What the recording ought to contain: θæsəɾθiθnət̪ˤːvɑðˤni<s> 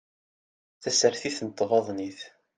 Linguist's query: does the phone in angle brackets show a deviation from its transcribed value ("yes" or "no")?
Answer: yes